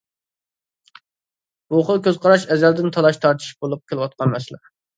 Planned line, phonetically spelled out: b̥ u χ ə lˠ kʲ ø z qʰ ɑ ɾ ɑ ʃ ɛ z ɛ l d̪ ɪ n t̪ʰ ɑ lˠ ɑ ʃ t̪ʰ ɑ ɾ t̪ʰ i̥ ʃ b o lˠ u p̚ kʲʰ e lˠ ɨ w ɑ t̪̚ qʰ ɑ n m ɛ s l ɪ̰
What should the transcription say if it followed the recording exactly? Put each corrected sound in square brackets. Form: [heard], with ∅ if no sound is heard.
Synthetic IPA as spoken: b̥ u χ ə lˠ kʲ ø z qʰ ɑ ɾ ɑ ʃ ɛ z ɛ l d̪ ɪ n t̪ʰ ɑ lˠ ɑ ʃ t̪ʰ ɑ ɾ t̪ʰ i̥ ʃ b o lˠ u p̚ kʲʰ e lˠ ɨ w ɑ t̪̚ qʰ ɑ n m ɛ s l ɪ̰